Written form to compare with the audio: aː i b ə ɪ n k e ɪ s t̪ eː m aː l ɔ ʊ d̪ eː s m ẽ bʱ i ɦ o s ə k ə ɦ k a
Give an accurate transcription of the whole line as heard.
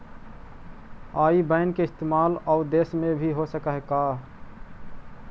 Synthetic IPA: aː i b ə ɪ n k e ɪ s t̪ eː m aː l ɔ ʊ d̪ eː s m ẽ bʱ i ɦ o s ə k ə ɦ k a